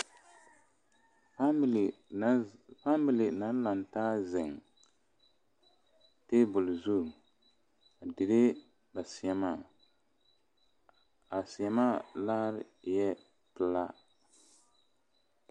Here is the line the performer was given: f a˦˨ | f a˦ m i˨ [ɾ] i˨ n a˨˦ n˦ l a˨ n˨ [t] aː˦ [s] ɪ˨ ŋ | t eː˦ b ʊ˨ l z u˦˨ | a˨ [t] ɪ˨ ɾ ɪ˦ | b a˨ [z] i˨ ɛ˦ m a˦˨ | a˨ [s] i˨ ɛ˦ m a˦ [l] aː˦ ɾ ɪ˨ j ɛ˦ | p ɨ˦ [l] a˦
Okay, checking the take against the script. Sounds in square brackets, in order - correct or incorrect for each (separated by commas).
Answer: incorrect, correct, incorrect, incorrect, incorrect, correct, correct, correct